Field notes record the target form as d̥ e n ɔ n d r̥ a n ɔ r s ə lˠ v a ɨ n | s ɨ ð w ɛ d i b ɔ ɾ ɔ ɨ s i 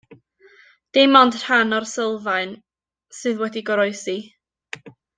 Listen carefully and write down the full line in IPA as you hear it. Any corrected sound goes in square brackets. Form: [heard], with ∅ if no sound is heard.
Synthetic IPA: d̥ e [m] ɔ n d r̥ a n ɔ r s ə lˠ v a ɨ n | s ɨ ð w ɛ d i [ɡ] ɔ ɾ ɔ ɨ s i